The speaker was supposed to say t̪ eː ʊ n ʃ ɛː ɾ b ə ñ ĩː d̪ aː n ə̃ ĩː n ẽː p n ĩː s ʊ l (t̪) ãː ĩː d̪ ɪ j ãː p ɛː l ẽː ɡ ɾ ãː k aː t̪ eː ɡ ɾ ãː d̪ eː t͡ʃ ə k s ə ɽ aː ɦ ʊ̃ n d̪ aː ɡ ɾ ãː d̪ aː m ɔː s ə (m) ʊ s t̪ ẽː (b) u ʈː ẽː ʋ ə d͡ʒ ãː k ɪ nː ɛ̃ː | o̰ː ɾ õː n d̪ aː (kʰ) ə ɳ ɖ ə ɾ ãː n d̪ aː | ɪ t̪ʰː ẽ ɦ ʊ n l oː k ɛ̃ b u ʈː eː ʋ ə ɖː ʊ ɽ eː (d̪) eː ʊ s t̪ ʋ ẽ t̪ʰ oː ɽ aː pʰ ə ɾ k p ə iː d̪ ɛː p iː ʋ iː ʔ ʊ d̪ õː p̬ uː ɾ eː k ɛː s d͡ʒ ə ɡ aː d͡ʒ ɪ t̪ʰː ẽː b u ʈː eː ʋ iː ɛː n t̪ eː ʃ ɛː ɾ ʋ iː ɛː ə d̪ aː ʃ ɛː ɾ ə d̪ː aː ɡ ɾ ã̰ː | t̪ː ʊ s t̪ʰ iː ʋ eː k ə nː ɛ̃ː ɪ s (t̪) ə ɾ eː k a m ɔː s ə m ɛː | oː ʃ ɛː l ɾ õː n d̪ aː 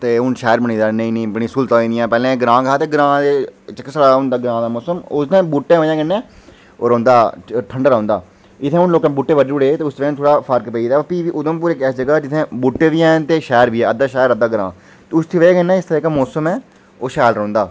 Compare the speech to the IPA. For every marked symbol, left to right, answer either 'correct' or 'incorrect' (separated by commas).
correct, correct, correct, incorrect, incorrect, correct